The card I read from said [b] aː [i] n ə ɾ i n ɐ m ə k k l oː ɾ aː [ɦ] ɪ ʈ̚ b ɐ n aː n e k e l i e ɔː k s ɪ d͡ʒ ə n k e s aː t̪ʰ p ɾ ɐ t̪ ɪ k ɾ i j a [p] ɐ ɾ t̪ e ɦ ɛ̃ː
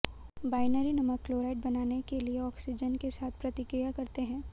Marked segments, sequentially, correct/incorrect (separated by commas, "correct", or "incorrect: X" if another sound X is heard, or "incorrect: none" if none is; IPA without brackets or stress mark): correct, incorrect: ɪ, incorrect: none, incorrect: k